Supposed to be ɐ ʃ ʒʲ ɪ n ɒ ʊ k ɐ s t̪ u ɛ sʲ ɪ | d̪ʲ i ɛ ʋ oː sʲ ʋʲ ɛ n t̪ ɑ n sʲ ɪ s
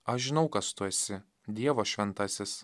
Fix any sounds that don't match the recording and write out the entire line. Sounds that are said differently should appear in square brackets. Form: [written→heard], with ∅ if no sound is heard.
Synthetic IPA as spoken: ɐ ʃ ʒʲ ɪ n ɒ ʊ k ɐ s t̪ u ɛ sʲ ɪ | d̪ʲ i ɛ ʋ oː [sʲ→ʃʲ] ʋʲ ɛ n t̪ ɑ [n→∅] sʲ ɪ s